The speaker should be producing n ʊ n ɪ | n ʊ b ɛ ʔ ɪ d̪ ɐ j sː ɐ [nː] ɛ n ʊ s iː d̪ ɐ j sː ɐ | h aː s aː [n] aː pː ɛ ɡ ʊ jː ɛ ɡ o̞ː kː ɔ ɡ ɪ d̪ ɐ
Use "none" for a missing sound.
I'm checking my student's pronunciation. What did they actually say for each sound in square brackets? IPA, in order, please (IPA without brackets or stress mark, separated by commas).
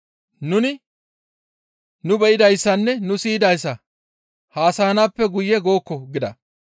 nː, n